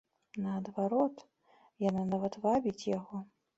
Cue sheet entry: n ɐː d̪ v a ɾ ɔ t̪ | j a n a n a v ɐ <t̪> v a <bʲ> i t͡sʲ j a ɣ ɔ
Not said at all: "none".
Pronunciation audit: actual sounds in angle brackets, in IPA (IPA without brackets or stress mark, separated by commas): t̪, bʲ